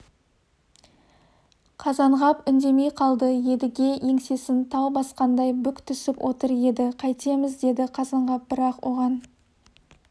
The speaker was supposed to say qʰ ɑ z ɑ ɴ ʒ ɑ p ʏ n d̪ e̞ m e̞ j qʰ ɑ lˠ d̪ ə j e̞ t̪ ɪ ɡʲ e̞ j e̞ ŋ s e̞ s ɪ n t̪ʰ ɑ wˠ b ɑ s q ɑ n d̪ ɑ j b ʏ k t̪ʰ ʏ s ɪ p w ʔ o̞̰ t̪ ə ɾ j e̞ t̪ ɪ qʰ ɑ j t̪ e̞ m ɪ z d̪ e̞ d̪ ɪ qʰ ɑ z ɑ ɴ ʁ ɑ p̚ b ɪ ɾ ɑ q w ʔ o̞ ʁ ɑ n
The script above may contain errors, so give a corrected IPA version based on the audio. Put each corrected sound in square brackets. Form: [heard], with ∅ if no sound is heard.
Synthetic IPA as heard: qʰ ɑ z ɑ ɴ [ʁ] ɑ p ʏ n d̪ e̞ m e̞ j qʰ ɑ lˠ d̪ ə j e̞ [d̪] ɪ ɡʲ e̞ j e̞ ŋ s e̞ s ɪ n t̪ʰ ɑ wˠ b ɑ s q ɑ n d̪ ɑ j b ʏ k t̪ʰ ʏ s ɪ p w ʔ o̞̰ t̪ ə ɾ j e̞ [d̪] ɪ qʰ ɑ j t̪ e̞ m ɪ z d̪ e̞ d̪ ɪ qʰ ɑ z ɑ ɴ ʁ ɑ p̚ b ɪ ɾ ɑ q w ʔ o̞ ʁ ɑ n